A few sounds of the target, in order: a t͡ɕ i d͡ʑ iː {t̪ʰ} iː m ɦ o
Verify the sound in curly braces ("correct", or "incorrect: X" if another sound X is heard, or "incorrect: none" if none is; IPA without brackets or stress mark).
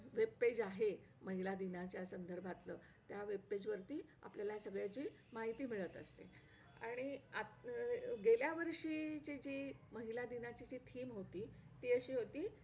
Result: correct